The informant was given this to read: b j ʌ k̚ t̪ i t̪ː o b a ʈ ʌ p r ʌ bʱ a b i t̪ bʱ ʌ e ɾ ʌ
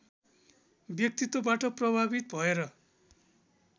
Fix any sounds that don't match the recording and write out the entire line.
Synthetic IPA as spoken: b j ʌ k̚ t̪ i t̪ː o b a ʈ ʌ p r ʌ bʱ a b i t̪ bʱ ʌ e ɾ ʌ